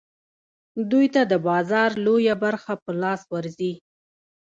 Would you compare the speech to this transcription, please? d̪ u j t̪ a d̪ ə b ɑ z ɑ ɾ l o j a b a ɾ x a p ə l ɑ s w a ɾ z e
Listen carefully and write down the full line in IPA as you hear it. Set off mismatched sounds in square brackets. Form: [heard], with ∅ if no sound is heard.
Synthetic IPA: d̪ u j t̪ a d̪ ə b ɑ z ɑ ɾ l o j a b a ɾ x a p ə l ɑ s w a ɾ z [i]